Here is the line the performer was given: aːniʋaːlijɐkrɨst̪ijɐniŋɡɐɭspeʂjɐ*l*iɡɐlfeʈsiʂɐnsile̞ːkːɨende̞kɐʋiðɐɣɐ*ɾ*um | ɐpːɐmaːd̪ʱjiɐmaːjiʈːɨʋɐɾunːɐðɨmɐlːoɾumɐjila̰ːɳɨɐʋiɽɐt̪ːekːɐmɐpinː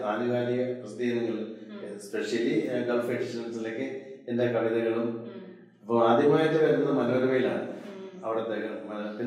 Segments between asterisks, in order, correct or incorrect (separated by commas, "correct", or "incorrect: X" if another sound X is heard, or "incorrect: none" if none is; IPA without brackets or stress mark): correct, incorrect: ɭ